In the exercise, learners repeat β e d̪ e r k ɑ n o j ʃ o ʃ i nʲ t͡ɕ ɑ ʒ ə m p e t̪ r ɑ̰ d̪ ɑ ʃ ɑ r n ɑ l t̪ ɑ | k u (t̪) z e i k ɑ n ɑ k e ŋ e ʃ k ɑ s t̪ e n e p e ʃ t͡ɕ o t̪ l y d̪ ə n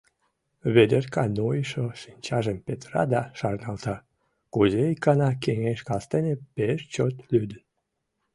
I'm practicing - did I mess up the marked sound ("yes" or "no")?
yes